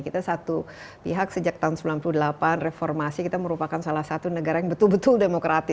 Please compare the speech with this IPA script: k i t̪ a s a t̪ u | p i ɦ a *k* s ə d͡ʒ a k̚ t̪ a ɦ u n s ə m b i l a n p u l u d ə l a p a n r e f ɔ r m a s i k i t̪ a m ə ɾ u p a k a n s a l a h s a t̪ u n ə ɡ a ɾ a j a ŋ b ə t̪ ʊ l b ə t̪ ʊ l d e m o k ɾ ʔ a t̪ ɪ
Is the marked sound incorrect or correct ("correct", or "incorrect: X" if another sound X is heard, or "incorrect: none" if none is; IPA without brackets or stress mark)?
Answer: correct